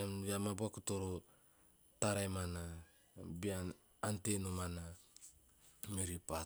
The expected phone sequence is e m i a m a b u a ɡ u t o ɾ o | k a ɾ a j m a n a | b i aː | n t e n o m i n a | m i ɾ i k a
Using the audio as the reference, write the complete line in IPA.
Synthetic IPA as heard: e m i a m a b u a k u t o ɾ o | t a ɾ a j m a n a | b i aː | n t e n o m a n a | m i ɾ i p a